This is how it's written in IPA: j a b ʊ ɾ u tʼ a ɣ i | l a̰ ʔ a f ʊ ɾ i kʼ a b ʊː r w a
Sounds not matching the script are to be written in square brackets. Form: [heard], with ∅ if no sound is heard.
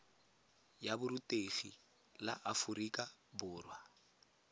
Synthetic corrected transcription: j a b ʊ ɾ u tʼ [e] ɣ i | l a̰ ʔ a f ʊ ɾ i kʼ a b ʊː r w a